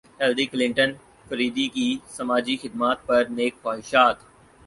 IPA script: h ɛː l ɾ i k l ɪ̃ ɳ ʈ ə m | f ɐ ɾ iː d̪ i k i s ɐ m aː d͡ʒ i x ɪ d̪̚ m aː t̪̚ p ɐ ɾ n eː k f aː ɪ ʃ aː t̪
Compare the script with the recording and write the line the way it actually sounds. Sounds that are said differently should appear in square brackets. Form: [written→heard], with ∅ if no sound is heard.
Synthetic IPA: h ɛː l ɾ i k l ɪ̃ ɳ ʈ ə [m→n] | f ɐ ɾ iː d̪ i k i s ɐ m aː d͡ʒ i x ɪ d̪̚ m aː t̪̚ p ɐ ɾ n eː k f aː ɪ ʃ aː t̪